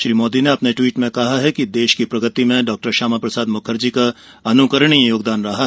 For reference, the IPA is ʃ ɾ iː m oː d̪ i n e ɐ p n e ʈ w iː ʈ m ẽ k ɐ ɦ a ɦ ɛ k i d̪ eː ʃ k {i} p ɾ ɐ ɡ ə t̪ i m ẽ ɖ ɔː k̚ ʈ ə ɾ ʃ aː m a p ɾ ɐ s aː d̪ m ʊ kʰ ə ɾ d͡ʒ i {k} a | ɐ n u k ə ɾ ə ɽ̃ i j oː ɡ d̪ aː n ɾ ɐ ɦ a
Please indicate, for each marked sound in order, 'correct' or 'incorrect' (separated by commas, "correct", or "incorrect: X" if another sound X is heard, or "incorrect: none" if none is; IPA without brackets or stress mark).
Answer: correct, correct